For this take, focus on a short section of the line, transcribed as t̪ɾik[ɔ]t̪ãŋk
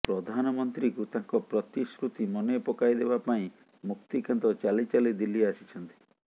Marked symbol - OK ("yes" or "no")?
no